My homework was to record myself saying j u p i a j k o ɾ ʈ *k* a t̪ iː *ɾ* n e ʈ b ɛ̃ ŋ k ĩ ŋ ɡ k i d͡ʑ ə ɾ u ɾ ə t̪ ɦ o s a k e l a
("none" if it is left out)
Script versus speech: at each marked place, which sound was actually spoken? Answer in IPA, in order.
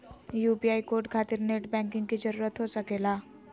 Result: kʰ, ɾ

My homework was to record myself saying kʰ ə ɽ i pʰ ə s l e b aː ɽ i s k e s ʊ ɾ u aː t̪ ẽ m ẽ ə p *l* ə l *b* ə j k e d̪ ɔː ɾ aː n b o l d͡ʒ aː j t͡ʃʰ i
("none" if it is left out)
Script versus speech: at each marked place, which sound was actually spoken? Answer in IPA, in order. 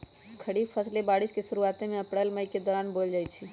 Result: ɽ, m

